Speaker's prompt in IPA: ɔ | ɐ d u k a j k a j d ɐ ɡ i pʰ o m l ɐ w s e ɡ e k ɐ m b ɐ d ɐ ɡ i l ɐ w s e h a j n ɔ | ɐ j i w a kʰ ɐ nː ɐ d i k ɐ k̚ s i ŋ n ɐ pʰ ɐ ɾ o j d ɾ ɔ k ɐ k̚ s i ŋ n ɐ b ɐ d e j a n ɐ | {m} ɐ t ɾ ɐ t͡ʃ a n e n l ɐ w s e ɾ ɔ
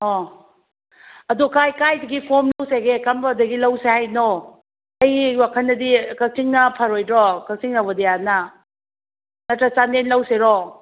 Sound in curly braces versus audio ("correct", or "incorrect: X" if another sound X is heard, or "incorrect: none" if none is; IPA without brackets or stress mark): incorrect: n